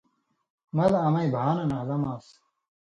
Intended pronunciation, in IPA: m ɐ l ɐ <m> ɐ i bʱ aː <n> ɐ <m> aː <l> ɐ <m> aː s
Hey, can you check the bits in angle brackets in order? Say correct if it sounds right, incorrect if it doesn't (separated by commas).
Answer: correct, correct, incorrect, correct, correct